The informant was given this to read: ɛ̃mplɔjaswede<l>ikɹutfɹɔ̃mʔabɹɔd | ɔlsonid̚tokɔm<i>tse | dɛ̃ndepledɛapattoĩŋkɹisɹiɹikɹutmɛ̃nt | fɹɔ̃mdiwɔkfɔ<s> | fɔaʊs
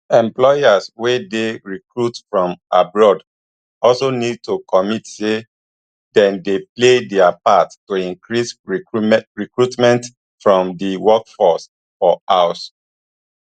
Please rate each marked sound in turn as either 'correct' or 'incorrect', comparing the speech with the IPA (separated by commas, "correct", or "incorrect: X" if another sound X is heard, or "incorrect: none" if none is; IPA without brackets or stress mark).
incorrect: ɹ, correct, correct